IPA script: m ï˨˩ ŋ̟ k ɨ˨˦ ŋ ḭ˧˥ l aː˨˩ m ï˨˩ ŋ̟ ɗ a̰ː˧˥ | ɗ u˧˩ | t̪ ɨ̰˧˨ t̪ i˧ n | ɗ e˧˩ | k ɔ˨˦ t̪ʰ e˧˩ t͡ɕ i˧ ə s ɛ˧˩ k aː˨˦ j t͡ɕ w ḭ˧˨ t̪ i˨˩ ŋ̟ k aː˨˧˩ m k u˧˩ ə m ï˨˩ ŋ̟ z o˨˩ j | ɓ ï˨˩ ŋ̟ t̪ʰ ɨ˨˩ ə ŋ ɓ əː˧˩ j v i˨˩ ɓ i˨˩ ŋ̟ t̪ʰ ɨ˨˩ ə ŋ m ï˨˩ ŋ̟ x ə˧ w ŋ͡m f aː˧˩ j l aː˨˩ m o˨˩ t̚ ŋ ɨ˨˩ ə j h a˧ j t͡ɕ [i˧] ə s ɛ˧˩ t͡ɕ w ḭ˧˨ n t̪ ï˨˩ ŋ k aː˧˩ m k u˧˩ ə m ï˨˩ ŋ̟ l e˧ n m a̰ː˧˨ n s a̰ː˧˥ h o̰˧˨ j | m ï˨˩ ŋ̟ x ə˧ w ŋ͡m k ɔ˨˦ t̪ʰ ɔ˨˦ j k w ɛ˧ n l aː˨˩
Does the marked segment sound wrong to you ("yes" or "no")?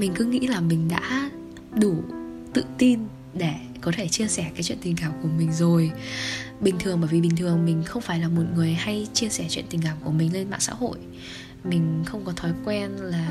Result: no